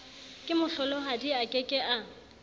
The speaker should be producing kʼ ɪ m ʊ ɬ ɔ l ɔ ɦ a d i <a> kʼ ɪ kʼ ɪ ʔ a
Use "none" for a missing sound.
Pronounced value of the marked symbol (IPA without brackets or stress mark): a